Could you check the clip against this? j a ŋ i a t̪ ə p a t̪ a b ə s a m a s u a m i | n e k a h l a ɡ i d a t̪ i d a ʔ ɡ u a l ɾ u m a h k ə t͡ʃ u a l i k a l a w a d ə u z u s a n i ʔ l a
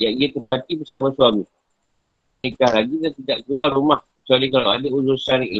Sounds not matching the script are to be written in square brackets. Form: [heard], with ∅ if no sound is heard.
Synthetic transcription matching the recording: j a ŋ i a t̪ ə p a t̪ [i] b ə s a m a s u a m i | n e k a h l a ɡ i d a t̪ i d a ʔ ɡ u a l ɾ u m a h k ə t͡ʃ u a l i k a l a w a d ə u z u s a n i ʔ l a